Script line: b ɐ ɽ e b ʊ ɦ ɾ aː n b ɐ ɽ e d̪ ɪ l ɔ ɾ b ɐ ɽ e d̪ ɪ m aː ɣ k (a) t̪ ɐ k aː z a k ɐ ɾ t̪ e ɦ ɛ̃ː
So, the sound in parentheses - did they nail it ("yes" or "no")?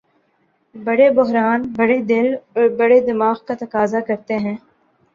yes